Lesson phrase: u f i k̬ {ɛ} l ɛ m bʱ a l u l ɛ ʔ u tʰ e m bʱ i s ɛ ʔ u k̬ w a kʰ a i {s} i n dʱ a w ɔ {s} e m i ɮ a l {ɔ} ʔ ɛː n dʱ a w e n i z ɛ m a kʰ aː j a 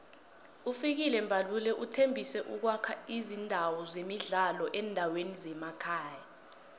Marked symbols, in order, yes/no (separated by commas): no, no, no, yes